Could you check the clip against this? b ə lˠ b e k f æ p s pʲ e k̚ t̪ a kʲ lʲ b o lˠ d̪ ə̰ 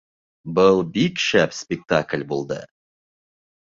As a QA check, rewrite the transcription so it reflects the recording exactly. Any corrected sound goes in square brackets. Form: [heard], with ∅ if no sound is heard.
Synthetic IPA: b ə lˠ b [i] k [ʃ] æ p s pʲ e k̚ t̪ a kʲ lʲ b o lˠ d̪ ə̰